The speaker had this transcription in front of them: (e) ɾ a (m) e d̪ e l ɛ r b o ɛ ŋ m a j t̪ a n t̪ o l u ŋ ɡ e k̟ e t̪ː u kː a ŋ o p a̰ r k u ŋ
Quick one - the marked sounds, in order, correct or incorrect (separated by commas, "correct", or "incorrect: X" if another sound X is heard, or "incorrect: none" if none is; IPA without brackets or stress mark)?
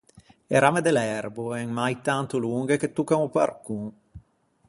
correct, correct